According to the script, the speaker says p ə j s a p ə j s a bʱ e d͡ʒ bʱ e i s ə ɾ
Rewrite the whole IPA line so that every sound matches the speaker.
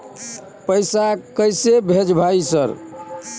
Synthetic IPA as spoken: p ə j s a k ə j s e bʱ e d͡ʒ bʱ a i s ə ɾ